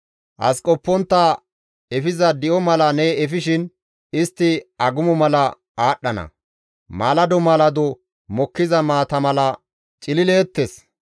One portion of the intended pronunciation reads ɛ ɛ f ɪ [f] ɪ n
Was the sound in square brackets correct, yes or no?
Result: no